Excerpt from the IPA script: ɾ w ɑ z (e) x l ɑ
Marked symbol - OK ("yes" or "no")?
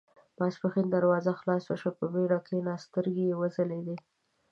no